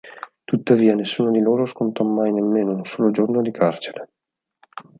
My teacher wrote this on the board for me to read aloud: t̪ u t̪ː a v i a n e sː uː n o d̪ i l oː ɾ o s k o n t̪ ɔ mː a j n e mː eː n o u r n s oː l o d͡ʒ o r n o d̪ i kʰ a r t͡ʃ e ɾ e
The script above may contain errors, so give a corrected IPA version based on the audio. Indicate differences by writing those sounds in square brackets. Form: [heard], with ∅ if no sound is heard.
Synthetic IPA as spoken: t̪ u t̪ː a v [iː] a n e sː uː n o d̪ i l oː ɾ o s k o n t̪ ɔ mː a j n e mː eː n o u [∅] n s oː l o d͡ʒ o r n o d̪ i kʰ a r t͡ʃ e ɾ e